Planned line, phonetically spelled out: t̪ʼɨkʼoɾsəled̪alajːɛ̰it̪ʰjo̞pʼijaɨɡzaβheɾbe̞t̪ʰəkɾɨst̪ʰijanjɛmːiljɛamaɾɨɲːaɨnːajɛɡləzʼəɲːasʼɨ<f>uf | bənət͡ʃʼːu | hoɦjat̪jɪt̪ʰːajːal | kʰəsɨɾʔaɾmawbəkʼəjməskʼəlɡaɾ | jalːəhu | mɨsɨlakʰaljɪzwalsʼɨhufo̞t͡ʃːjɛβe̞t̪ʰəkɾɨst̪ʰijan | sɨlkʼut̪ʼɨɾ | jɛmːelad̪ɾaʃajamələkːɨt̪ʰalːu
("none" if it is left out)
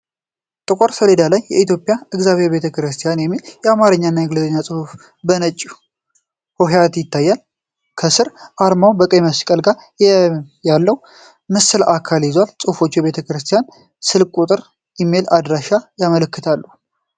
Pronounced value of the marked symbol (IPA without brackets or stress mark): h